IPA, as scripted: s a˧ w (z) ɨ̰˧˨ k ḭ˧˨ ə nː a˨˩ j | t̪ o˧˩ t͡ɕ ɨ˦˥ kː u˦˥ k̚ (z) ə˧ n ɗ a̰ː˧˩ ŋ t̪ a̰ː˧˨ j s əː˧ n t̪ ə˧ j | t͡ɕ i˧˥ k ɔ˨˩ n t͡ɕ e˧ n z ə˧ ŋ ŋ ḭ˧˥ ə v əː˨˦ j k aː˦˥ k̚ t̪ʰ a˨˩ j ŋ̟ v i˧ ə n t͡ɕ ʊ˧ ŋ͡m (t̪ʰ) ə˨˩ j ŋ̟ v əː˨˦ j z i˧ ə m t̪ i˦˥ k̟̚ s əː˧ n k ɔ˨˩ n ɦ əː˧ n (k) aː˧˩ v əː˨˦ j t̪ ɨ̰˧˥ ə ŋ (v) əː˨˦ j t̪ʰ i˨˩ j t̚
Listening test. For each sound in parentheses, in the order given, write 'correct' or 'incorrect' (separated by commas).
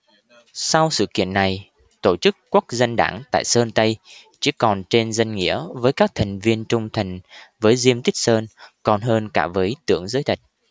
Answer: incorrect, correct, correct, correct, incorrect